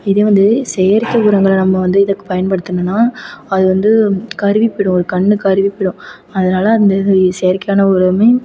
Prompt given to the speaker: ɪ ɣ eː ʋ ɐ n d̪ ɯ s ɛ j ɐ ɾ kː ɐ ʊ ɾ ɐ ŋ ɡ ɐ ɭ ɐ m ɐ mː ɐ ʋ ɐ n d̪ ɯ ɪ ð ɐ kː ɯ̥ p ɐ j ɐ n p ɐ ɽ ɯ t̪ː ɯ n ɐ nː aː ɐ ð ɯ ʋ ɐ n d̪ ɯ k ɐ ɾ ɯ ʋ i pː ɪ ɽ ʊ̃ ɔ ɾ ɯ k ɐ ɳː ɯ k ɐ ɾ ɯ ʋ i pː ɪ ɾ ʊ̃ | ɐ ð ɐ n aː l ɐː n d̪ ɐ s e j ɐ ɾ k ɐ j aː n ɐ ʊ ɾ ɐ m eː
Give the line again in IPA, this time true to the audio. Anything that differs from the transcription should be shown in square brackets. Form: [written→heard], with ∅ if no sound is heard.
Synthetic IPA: ɪ [ɣ→ð] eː ʋ ɐ n d̪ ɯ s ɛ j ɐ ɾ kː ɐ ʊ ɾ ɐ ŋ ɡ ɐ ɭ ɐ [m→n] ɐ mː ɐ ʋ ɐ n d̪ ɯ ɪ ð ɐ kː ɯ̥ p ɐ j ɐ n p ɐ ɽ ɯ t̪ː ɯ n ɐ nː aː ɐ ð ɯ ʋ ɐ n d̪ ɯ k ɐ ɾ ɯ ʋ i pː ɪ ɽ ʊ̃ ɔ ɾ ɯ k ɐ ɳː ɯ k ɐ ɾ ɯ ʋ i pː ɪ [ɾ→ɽ] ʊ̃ | ɐ ð ɐ n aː l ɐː n d̪ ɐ s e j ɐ ɾ k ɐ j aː n ɐ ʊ ɾ ɐ m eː